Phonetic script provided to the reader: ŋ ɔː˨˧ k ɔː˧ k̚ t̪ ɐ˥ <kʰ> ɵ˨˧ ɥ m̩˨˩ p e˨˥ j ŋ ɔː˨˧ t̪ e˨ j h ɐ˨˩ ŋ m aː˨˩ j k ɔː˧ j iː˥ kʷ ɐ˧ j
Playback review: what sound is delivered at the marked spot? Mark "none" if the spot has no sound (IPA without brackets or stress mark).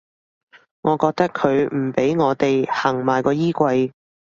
kʰ